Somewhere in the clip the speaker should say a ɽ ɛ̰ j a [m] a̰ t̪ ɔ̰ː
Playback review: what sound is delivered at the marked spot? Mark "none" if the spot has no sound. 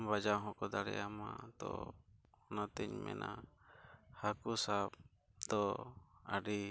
m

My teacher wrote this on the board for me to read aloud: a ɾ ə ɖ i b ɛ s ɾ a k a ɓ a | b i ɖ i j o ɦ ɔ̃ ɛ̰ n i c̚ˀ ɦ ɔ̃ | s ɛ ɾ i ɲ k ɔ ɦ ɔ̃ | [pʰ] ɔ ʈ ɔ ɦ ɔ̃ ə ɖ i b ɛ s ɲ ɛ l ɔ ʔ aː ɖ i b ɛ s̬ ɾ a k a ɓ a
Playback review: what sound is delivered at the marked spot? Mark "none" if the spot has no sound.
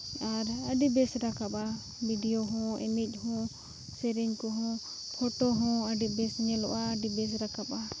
pʰ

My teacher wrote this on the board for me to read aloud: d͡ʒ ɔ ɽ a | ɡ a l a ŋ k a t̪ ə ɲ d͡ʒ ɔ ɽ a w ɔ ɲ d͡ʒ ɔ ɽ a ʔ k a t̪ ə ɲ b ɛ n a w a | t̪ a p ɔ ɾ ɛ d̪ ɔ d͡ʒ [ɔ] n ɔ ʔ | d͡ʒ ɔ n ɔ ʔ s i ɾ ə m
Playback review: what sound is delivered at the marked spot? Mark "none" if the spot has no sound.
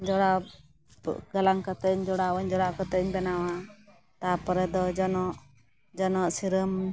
ɔ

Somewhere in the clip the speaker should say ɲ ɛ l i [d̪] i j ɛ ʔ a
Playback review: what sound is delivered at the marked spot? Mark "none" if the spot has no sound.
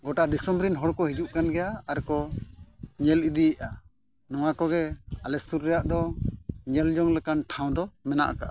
d̪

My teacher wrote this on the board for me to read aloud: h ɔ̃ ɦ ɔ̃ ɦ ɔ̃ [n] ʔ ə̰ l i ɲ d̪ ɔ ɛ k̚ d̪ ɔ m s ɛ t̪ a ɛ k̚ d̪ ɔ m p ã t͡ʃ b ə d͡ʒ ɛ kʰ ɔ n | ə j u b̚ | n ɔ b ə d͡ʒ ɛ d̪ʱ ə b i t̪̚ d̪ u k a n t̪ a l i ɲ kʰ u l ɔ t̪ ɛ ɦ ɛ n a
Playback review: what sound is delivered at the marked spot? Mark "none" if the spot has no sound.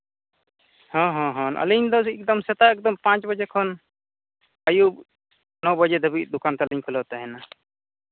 n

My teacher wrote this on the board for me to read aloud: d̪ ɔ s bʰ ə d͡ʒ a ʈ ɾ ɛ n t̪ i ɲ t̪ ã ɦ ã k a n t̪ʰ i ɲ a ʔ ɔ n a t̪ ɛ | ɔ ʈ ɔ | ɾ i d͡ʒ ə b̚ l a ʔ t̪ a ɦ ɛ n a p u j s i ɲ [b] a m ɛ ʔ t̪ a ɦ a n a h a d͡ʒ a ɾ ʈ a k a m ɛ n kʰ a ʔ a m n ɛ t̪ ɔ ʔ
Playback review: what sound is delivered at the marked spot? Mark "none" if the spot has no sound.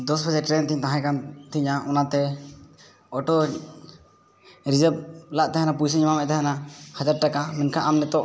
m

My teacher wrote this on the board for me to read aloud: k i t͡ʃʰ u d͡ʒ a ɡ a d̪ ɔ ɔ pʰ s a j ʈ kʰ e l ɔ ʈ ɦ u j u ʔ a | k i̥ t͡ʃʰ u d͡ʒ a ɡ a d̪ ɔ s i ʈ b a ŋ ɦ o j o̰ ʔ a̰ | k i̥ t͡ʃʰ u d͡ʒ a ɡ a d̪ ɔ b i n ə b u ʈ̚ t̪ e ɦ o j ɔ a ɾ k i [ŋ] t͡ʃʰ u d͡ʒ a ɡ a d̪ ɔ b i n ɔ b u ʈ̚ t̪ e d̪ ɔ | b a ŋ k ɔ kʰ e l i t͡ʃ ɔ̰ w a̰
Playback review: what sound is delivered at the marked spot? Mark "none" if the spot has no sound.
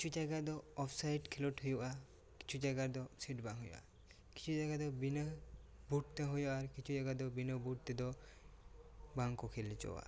none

